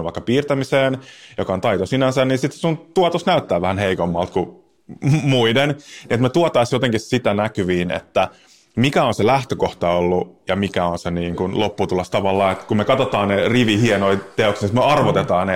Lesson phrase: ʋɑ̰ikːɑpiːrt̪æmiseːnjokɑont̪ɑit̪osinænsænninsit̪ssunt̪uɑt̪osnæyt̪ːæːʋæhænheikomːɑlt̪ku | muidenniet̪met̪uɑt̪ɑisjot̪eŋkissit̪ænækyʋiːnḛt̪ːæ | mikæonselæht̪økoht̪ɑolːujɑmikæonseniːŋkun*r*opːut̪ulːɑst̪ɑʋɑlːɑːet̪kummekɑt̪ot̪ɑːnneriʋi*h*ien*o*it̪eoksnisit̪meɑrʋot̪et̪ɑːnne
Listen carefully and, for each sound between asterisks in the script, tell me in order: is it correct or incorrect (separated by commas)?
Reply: incorrect, correct, correct